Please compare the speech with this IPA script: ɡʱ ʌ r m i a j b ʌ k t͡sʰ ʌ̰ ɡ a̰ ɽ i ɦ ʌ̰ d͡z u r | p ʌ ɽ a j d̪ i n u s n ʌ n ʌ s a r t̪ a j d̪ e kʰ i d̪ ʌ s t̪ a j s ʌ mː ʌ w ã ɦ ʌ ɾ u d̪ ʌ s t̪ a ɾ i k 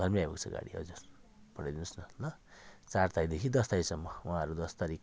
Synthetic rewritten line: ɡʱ ʌ r m i a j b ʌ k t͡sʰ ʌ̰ ɡ a̰ ɽ i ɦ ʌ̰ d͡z u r | p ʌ ɽ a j d̪ i n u s n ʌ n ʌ t͡s a r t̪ a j d̪ e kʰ i d̪ ʌ s t̪ a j s ʌ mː ʌ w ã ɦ ʌ ɾ u d̪ ʌ s t̪ a ɾ i k